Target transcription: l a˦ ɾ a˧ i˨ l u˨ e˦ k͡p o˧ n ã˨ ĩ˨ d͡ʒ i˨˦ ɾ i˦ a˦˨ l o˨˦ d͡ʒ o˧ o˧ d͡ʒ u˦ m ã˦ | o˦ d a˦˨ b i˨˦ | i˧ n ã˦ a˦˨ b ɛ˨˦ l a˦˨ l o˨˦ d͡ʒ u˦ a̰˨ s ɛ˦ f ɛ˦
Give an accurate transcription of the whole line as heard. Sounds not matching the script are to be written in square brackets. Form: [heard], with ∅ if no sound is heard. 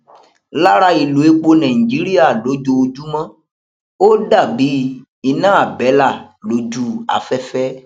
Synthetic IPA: l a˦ ɾ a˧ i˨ l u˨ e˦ k͡p o˧ n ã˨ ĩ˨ d͡ʒ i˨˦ ɾ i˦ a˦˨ l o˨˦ d͡ʒ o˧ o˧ d͡ʒ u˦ m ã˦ | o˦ d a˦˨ b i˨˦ | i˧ n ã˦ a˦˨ b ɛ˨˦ l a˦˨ l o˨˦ d͡ʒ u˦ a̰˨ [f] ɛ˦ f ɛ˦